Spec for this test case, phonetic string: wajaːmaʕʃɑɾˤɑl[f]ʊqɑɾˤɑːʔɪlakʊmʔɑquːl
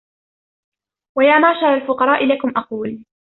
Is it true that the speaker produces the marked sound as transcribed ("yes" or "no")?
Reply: yes